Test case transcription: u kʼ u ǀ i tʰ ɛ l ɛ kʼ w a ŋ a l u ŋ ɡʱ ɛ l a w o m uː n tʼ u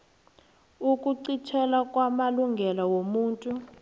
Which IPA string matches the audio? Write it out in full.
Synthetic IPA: u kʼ u ǀ i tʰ ɛ l a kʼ w a m a l u ŋ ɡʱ ɛ l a w o m uː n tʼ u